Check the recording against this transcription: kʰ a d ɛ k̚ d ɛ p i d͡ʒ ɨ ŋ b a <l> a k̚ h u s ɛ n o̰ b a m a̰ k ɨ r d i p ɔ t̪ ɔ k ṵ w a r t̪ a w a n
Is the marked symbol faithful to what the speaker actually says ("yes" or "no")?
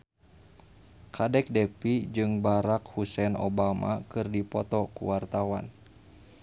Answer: no